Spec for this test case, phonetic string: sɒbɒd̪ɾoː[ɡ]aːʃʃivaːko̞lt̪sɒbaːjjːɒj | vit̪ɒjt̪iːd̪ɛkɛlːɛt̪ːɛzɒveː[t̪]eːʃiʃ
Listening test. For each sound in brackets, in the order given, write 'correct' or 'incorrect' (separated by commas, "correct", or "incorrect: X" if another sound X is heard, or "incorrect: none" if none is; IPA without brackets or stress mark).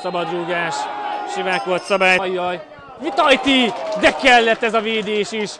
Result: correct, incorrect: d̪